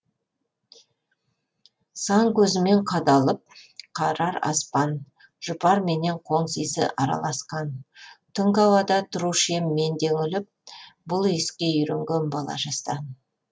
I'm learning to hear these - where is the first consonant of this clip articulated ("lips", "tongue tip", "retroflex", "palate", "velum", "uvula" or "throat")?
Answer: tongue tip